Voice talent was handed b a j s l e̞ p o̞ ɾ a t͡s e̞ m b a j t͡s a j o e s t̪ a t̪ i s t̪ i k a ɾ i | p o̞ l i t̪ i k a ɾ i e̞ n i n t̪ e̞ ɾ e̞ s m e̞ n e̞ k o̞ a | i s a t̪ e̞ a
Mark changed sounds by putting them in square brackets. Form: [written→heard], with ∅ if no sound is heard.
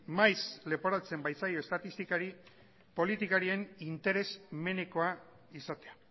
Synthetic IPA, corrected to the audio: [b→m] a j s l e̞ p o̞ ɾ a t͡s e̞ m b a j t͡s a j o e s t̪ a t̪ i s t̪ i k a ɾ i | p o̞ l i t̪ i k a ɾ i e̞ n i n t̪ e̞ ɾ e̞ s m e̞ n e̞ k o̞ a | i s a t̪ e̞ a